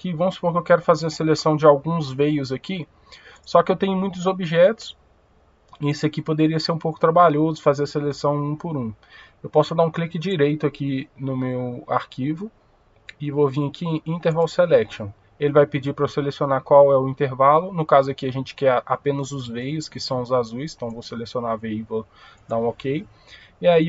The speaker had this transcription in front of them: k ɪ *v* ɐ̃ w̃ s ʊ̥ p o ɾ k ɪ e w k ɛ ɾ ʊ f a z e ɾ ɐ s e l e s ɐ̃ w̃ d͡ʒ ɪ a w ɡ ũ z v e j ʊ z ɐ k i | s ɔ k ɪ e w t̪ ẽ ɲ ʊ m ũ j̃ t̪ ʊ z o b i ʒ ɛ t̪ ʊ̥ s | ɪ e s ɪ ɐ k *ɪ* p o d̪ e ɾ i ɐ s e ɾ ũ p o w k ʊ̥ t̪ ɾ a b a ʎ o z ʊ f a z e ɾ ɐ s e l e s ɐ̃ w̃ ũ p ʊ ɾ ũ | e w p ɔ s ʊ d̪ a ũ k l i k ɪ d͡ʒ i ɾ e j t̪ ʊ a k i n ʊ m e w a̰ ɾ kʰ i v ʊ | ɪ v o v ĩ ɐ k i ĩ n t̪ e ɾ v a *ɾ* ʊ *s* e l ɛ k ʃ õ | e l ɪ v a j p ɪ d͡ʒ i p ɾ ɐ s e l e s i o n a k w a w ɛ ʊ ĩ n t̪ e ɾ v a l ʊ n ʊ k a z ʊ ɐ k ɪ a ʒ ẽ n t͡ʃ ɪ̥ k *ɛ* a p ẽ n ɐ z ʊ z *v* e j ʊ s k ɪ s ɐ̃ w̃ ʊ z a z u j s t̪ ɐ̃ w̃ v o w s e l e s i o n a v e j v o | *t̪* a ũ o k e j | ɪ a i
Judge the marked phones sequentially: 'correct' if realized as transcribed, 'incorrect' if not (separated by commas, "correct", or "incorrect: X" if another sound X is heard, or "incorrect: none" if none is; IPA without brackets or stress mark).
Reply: correct, incorrect: i, incorrect: l, correct, correct, correct, incorrect: d̪